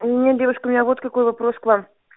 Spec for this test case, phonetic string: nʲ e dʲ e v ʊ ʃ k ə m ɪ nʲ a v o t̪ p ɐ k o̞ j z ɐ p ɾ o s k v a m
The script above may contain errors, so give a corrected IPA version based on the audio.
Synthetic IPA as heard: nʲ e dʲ e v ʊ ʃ k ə m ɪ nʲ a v o t̪ k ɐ k o̞ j v ɐ p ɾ o s k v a m

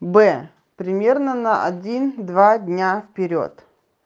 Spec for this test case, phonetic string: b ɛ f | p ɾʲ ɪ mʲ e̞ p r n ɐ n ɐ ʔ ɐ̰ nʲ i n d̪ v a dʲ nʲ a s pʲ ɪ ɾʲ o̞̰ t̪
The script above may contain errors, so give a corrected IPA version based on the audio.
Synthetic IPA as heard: b ɛ | p ɾʲ ɪ mʲ e̞ r n ə n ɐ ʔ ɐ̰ dʲ i n d̪ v a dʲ nʲ a f pʲ ɪ ɾʲ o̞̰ t̪

